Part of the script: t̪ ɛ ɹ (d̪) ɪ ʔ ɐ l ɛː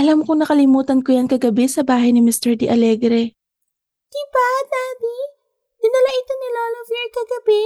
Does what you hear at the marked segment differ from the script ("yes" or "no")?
no